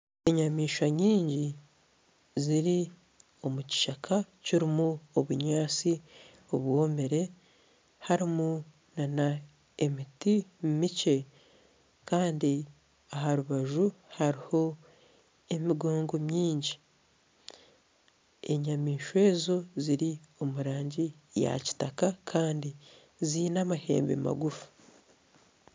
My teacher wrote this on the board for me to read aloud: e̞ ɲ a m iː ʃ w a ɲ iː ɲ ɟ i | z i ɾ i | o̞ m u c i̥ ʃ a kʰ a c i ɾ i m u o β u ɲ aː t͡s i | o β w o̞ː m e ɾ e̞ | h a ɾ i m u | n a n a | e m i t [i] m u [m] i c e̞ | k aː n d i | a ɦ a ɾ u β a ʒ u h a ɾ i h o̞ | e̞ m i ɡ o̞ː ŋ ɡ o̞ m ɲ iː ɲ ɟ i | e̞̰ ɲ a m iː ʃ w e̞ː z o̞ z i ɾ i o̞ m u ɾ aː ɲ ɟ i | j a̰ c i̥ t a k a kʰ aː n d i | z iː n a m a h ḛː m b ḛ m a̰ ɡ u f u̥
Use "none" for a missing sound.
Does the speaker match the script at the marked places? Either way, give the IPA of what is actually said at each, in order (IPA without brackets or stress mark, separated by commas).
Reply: i, m